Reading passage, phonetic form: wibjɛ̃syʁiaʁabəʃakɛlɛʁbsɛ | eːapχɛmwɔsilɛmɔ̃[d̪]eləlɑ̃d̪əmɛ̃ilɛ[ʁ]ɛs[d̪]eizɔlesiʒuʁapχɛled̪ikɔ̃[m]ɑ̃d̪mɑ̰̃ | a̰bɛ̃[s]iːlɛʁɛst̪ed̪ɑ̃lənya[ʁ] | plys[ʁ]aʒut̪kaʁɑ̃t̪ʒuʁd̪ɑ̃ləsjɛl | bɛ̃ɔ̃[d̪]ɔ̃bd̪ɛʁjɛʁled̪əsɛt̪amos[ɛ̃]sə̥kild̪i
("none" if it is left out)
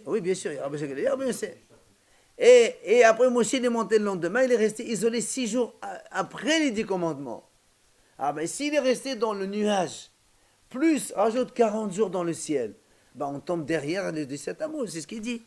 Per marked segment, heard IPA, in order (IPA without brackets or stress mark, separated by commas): t̪, ʁ, t̪, m, s, ʒ, ʁ, t̪, ɛ